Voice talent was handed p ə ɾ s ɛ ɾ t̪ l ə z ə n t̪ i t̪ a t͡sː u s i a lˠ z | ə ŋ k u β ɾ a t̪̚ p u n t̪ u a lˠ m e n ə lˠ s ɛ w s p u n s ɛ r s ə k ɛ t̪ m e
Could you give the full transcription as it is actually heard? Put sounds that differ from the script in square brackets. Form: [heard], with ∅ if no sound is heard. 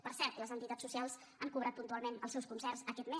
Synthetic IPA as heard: p ə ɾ s ɛ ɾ t̪ l ə z ə n t̪ i t̪ a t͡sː u s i a lˠ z | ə ŋ k u β ɾ a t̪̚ p u n t̪ u a lˠ m e n ə lˠ s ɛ w s [k] u n s ɛ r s ə k ɛ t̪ m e